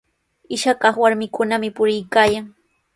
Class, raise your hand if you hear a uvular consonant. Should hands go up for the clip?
yes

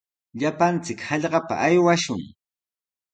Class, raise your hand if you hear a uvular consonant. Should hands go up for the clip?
yes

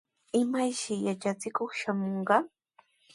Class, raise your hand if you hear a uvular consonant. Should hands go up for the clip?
yes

